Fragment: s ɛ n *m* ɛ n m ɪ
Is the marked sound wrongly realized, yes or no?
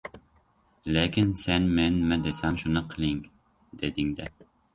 no